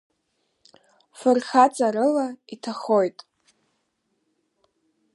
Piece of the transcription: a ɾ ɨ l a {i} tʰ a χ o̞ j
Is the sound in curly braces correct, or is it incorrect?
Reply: correct